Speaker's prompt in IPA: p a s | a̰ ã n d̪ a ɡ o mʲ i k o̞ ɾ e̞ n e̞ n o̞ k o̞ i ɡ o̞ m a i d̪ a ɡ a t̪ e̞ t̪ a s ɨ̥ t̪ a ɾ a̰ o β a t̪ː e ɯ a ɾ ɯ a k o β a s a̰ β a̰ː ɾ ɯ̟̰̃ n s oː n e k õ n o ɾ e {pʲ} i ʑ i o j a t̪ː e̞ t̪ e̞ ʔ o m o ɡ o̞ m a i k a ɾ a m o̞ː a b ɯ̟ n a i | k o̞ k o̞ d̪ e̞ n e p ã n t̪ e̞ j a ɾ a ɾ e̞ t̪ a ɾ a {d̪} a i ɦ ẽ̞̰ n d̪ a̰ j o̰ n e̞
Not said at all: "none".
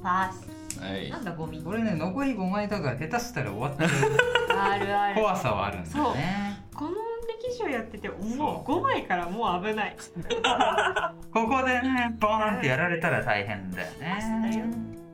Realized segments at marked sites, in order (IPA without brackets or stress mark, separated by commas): kʲ, t̪